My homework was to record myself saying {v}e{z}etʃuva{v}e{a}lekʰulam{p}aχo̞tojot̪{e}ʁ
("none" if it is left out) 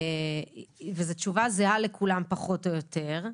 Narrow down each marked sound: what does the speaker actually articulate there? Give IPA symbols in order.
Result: v, z, z, a, p, e

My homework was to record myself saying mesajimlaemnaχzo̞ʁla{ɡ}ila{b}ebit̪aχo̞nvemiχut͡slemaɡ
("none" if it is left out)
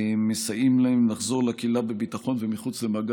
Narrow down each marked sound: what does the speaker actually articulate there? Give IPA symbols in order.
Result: k, b

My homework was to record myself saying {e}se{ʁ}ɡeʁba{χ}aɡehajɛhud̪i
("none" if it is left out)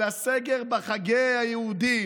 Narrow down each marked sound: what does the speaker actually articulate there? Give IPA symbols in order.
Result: a, none, χ

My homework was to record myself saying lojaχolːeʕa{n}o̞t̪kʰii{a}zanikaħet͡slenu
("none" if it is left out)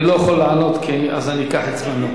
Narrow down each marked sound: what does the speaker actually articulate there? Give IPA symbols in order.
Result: n, a

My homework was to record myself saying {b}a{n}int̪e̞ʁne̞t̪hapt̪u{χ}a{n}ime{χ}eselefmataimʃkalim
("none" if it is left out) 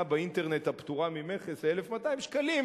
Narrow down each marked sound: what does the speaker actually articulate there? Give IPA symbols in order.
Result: b, none, ʁ, m, χ

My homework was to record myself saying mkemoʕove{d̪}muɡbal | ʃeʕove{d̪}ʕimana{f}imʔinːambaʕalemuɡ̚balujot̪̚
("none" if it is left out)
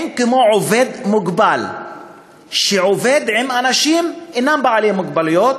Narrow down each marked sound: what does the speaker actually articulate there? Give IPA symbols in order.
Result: d̪, d̪, ʃ

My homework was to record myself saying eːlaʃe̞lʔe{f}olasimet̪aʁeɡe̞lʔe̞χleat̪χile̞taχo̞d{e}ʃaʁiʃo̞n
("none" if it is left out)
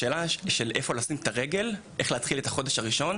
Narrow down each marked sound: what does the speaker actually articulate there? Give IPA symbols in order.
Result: f, e

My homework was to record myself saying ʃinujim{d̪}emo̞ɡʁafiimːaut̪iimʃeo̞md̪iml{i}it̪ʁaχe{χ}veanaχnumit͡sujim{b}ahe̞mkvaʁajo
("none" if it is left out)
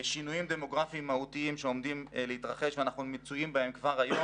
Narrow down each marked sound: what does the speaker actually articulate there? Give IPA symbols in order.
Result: d̪, e, ʃ, b

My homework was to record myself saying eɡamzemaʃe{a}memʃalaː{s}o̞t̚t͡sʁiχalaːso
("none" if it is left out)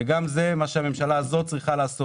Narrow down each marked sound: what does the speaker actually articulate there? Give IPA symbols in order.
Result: a, z

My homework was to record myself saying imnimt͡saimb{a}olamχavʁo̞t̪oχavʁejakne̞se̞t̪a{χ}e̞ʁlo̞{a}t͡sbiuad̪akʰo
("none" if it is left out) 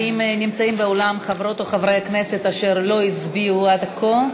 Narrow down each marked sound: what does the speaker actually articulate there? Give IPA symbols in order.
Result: e, ʃ, i

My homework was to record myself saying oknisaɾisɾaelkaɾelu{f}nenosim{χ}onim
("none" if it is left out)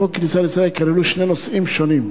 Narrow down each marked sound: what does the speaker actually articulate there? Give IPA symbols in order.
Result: ʃ, ʃ

